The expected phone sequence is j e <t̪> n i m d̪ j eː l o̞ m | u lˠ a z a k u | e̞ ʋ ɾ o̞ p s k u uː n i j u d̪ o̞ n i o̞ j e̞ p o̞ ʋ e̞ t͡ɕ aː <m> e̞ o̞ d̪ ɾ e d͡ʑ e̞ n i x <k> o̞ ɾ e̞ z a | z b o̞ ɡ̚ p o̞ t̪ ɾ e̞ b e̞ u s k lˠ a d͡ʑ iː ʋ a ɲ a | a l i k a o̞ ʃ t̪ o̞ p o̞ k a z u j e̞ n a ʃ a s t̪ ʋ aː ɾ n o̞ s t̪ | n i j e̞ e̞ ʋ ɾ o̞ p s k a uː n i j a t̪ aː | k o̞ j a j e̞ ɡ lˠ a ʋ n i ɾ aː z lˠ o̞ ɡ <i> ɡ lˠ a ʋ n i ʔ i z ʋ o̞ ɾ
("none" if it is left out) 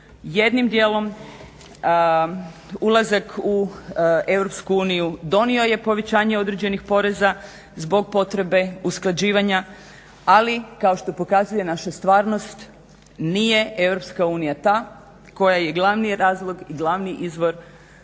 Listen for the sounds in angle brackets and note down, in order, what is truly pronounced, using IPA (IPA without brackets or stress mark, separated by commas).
d̪, ɲ, p, i